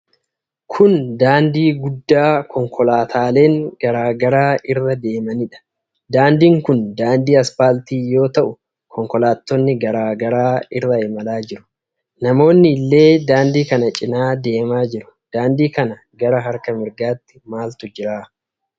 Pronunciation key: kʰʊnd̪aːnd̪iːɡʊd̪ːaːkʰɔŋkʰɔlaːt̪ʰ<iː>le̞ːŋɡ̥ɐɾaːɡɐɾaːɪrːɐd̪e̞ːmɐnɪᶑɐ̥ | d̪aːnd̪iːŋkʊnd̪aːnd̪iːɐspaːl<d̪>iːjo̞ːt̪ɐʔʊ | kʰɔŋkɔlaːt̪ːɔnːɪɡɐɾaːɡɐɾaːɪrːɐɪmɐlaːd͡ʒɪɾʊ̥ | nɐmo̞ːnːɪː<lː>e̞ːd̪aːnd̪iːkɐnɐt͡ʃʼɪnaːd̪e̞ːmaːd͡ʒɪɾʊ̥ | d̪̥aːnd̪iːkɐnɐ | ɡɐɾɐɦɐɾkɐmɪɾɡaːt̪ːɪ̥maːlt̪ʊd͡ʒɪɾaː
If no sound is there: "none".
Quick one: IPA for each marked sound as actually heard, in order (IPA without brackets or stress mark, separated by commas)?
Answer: aː, t̪, lː